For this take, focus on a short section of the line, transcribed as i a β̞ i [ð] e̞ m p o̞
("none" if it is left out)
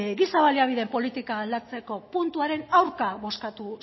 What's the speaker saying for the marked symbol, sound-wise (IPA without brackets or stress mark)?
ð